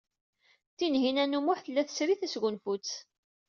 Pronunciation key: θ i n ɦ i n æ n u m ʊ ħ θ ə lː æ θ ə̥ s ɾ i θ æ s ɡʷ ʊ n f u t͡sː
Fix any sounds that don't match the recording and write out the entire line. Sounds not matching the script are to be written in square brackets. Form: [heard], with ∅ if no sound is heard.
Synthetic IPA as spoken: θ i n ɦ i n æ n u m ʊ ħ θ ə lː æ θ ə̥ s ɾ i θ æ s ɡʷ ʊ n f u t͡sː